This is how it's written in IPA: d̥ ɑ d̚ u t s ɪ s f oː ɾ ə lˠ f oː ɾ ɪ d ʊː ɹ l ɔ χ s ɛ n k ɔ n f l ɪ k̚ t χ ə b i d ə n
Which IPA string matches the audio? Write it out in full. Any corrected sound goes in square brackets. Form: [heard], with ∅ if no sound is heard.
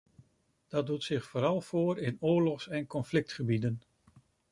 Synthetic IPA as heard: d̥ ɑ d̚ u t s ɪ [χ] f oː ɾ [ɑ] lˠ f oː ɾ ɪ [n] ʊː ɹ l ɔ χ s ɛ n k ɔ n f l ɪ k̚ t χ ə b i d ə n